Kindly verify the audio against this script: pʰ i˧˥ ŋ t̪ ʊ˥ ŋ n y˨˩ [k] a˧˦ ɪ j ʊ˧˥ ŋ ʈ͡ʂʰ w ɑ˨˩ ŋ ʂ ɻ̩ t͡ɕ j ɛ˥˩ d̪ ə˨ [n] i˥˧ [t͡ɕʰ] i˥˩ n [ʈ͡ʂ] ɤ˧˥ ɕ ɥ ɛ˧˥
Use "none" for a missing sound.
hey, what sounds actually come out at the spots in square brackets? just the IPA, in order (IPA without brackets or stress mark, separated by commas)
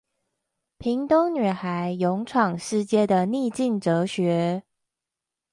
x, n, t͡ɕ, ʈ͡ʂ